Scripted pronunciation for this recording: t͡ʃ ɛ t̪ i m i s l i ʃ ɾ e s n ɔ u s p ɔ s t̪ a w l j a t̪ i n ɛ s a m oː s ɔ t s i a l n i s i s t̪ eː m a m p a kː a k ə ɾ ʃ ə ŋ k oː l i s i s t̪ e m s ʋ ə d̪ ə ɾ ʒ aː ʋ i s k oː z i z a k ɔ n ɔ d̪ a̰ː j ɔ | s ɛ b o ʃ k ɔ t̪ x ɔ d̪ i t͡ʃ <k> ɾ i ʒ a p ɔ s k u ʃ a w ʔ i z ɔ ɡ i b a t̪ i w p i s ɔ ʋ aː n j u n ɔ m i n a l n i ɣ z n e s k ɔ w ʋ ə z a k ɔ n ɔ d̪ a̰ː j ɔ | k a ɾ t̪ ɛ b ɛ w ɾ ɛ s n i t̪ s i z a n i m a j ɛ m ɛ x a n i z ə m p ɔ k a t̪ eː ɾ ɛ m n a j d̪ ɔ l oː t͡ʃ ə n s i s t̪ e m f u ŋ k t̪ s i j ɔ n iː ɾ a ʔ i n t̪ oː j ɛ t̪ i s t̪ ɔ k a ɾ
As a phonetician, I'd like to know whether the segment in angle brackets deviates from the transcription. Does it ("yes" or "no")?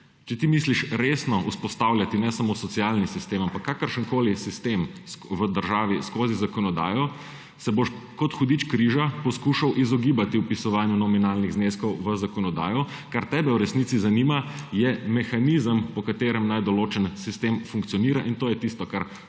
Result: no